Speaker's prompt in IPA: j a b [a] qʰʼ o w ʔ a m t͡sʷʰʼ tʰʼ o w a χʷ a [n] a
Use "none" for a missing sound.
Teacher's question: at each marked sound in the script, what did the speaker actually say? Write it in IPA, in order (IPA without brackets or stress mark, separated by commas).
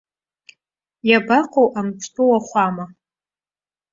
a, m